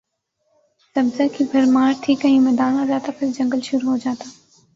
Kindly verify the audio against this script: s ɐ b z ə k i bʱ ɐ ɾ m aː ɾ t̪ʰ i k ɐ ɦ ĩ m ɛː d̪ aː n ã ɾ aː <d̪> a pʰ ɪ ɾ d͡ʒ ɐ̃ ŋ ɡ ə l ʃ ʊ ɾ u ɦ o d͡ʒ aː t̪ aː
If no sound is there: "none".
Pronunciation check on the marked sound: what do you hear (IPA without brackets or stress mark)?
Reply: t̪